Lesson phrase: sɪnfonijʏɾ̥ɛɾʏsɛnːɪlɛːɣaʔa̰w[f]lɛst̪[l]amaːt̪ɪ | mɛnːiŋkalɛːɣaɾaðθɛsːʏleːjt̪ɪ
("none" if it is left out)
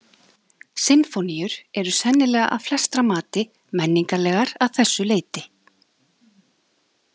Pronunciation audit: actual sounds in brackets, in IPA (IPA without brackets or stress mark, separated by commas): f, ɾ